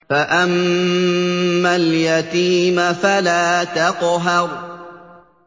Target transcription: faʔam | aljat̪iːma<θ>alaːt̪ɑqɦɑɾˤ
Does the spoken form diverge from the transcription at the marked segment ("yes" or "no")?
yes